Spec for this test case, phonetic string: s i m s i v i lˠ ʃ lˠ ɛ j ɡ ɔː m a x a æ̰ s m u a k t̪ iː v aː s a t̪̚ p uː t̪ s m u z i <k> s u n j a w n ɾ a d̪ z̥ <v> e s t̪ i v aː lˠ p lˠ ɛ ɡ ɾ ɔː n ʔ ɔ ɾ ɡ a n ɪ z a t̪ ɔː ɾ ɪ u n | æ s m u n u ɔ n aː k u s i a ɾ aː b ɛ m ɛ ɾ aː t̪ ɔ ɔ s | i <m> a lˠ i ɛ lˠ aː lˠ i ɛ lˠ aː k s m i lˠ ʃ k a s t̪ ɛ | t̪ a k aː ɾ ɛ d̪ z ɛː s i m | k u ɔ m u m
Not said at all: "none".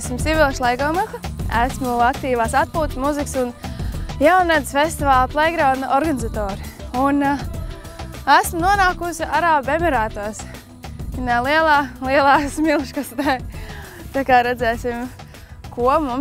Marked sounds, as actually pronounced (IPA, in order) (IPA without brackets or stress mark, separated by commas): k, f, n